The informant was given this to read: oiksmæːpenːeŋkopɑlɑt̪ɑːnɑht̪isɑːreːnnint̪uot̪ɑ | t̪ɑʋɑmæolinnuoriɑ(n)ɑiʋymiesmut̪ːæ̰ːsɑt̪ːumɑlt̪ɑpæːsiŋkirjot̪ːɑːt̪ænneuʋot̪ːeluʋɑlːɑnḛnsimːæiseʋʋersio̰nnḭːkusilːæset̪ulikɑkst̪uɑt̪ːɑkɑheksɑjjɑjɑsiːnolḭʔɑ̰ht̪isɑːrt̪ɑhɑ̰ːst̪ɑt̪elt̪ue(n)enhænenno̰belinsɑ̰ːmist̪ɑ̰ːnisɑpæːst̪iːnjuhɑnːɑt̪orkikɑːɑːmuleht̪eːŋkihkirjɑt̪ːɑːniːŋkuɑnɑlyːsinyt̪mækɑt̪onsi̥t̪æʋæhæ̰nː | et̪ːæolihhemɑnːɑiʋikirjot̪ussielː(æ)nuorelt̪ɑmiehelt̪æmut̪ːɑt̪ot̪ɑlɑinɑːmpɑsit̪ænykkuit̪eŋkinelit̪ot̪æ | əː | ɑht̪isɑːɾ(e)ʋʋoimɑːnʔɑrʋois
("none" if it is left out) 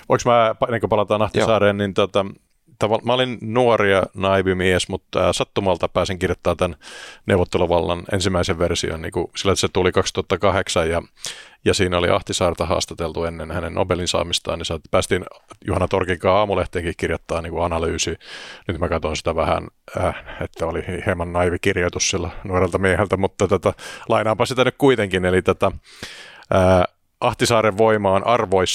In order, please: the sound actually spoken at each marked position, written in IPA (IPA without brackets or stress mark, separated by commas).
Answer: n, nː, æ, e